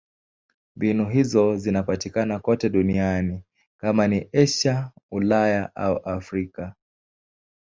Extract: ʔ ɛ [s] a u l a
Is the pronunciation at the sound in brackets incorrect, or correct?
incorrect